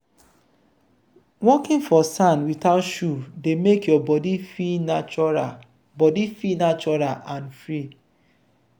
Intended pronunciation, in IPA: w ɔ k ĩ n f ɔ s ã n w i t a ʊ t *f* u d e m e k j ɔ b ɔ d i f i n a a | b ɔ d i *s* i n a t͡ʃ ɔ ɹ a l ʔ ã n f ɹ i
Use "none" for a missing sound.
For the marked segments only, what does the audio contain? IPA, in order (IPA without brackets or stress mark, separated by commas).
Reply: ʃ, f